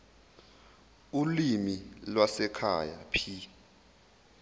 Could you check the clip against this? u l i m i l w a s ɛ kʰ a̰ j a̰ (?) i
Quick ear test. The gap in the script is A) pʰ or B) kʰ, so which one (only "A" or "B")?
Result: A